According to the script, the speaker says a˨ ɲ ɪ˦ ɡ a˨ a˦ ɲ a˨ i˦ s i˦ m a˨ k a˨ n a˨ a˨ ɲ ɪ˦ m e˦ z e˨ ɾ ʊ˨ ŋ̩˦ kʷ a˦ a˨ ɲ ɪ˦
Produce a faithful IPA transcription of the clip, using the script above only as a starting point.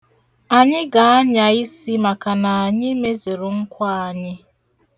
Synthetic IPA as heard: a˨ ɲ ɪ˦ ɡ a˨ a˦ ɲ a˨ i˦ s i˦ m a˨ k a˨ n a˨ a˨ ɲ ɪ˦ m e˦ z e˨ ɾ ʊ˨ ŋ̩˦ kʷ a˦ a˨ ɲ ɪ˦